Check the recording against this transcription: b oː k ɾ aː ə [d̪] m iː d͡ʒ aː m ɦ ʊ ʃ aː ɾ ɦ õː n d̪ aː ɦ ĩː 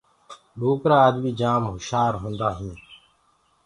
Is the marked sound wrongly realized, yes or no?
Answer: no